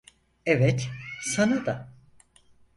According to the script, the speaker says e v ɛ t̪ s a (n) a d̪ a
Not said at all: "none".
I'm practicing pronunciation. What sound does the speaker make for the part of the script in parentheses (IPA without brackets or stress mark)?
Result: n